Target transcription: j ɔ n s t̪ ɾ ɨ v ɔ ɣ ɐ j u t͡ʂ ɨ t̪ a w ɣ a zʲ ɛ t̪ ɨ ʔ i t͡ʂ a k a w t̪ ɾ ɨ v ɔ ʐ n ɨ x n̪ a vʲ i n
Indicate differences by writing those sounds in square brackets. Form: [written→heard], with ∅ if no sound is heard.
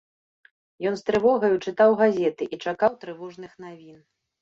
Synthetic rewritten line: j ɔ n s t̪ ɾ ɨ v ɔ ɣ ɐ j u t͡ʂ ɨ t̪ a w ɣ a zʲ ɛ t̪ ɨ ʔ i t͡ʂ a k a w t̪ ɾ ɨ v ɔ ʐ n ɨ x n̪ a vʲ i n